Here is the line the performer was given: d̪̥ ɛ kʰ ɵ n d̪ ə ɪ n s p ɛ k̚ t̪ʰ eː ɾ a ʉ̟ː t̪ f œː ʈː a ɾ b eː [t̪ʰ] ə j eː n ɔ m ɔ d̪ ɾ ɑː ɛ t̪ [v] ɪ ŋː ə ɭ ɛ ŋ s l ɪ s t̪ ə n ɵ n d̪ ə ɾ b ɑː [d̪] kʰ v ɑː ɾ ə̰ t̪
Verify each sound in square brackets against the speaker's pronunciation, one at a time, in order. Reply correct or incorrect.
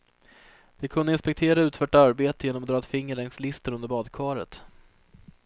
incorrect: t̪, incorrect: f, correct

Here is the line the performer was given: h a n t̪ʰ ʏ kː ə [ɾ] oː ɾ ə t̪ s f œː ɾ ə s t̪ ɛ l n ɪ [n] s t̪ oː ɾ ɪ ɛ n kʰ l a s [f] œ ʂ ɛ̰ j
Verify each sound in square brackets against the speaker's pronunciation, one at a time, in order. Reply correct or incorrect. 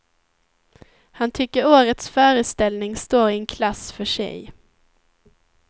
correct, incorrect: ŋ, correct

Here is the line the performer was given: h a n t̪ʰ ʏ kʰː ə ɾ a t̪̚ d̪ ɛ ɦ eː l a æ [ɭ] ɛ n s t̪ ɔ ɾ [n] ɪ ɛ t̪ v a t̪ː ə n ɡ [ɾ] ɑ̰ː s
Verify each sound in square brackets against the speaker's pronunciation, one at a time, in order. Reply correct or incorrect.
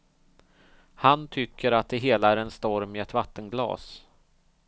incorrect: ɾ, incorrect: m, incorrect: l

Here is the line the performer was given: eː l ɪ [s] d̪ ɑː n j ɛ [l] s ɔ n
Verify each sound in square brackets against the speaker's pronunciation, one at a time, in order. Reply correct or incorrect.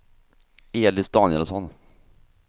correct, correct

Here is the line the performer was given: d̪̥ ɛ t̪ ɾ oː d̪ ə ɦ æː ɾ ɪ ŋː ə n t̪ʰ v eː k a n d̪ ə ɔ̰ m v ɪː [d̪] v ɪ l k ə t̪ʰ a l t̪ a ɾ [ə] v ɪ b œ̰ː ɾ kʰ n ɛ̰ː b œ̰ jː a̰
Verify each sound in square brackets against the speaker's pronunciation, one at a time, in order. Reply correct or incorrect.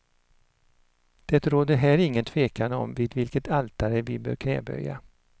correct, correct

